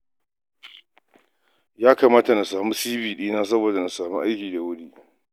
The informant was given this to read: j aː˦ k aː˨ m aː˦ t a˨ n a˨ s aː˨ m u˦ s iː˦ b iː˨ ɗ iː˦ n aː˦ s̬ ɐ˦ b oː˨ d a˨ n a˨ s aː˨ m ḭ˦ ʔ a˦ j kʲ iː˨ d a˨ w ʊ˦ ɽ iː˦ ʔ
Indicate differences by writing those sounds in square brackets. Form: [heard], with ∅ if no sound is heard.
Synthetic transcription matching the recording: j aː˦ k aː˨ m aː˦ t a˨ n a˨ s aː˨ m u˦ s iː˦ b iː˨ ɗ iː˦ n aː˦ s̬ ɐ˦ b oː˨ d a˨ n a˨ s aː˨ m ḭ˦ ʔ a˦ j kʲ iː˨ d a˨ w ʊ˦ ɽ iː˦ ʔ